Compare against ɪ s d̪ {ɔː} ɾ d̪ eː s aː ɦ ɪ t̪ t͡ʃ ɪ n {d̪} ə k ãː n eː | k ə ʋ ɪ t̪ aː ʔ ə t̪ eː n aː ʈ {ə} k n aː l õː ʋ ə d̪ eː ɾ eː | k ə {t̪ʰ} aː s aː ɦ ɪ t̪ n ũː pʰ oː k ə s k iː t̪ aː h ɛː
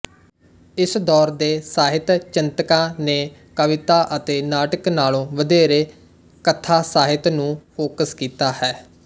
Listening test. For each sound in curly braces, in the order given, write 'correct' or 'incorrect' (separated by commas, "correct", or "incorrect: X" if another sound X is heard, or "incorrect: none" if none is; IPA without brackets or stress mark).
correct, incorrect: t̪, correct, correct